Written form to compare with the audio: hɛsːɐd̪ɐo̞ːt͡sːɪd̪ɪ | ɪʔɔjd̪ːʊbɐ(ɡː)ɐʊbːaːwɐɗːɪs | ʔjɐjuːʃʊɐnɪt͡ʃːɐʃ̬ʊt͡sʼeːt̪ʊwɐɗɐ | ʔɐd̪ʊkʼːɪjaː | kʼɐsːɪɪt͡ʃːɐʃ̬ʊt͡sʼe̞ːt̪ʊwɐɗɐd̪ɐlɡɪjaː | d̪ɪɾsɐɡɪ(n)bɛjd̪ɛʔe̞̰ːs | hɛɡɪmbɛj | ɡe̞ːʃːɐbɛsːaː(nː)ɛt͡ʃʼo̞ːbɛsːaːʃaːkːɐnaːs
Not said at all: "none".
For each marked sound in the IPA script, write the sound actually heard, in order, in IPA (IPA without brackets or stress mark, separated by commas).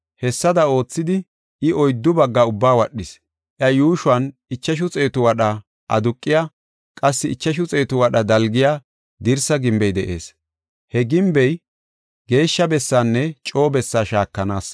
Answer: ɡː, m, nː